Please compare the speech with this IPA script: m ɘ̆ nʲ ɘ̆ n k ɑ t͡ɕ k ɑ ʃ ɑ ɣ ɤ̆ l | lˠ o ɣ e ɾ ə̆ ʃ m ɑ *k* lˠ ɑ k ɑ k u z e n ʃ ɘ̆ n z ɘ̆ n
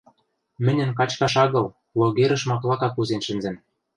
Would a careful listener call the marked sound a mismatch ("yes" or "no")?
no